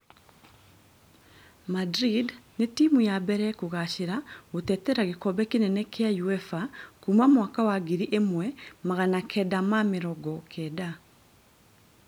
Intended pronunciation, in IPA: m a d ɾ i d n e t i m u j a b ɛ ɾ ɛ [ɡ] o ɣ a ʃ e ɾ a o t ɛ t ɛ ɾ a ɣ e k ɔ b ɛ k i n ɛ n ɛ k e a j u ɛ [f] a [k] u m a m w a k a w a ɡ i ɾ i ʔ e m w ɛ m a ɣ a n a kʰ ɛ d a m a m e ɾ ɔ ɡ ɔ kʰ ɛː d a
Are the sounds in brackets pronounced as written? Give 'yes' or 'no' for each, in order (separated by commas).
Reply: no, yes, yes